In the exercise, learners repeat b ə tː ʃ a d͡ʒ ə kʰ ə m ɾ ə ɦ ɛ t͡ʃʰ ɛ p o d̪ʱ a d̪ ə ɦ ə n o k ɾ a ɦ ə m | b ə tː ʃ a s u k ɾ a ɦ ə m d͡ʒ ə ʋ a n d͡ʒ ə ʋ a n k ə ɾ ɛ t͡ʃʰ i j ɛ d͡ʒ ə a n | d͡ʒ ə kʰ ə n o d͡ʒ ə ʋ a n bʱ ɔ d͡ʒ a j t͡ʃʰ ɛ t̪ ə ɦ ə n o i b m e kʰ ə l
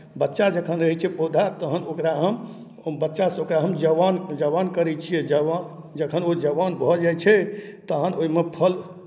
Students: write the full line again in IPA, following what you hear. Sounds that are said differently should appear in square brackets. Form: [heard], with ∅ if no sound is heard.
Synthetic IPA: b ə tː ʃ a d͡ʒ ə kʰ ə [n] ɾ ə ɦ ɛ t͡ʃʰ ɛ p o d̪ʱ a [t̪] ə ɦ ə n o k ɾ a ɦ ə m | b ə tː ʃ a s [o] k ɾ a ɦ ə m d͡ʒ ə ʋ a n d͡ʒ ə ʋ a n k ə ɾ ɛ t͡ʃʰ i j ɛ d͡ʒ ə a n | d͡ʒ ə kʰ ə n o d͡ʒ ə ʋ a n bʱ ɔ d͡ʒ a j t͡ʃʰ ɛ t̪ ə ɦ ə n o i [∅] m e [pʰ] ə l